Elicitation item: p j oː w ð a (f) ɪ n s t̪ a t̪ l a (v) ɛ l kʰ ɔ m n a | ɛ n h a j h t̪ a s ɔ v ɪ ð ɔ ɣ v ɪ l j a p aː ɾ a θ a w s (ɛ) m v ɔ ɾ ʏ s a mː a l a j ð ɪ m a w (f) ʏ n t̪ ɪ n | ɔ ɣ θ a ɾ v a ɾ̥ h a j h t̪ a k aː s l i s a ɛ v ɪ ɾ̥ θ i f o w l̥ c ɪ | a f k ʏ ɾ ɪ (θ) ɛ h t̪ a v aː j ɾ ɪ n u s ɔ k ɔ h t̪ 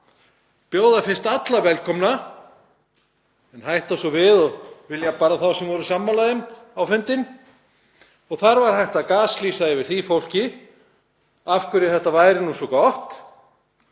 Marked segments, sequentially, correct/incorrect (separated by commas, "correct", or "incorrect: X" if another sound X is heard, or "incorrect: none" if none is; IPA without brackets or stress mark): correct, correct, correct, correct, correct